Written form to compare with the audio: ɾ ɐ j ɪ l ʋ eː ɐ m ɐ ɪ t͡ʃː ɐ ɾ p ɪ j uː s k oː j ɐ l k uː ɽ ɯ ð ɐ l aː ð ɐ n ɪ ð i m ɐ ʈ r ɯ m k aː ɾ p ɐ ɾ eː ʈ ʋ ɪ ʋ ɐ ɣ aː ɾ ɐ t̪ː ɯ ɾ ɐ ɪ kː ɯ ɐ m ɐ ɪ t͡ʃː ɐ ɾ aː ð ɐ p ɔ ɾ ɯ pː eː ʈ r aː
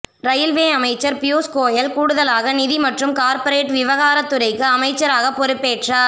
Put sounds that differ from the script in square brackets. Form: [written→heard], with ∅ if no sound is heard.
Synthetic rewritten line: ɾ ɐ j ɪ l ʋ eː ɐ m ɐ ɪ t͡ʃː ɐ ɾ p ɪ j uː s k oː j ɐ l k uː ɽ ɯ ð ɐ l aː [ð→ɣ] ɐ n ɪ ð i m ɐ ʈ r ɯ m k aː ɾ p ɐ ɾ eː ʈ ʋ ɪ ʋ ɐ ɣ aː ɾ ɐ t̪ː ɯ ɾ ɐ ɪ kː ɯ ɐ m ɐ ɪ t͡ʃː ɐ ɾ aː [ð→ɣ] ɐ p ɔ ɾ ɯ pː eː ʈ r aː